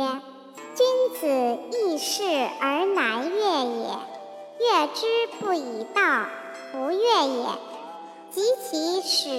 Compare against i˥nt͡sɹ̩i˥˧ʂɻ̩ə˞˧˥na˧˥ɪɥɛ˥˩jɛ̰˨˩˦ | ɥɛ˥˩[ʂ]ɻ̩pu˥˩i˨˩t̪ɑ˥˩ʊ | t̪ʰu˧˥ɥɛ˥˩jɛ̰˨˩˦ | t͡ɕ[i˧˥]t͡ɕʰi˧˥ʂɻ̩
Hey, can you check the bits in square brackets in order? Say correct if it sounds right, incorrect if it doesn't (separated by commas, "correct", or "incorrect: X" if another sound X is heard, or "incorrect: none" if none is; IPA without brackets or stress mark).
incorrect: ʈ͡ʂ, correct